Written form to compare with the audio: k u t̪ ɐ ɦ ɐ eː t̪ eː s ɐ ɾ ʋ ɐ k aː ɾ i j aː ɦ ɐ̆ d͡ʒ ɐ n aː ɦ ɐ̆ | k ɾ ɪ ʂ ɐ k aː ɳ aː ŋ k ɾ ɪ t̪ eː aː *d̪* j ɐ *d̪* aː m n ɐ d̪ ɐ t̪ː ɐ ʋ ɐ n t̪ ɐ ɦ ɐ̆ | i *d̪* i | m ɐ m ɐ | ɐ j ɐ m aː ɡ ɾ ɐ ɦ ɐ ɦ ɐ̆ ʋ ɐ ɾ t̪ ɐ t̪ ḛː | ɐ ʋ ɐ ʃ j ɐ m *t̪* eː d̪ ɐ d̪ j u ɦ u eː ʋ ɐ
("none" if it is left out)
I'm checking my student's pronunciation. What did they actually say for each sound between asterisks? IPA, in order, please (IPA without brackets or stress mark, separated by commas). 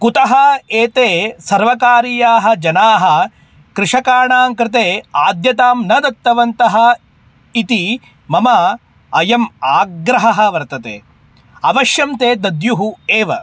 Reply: d̪, t̪, t̪, t̪